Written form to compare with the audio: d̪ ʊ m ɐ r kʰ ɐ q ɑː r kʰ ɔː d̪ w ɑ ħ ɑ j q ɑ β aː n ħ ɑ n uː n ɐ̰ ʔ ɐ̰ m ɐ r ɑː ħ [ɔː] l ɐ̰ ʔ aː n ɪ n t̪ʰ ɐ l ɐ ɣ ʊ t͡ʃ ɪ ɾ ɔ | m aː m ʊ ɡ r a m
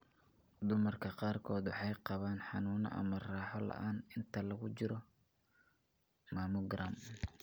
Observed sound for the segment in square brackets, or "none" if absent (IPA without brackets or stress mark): ɔ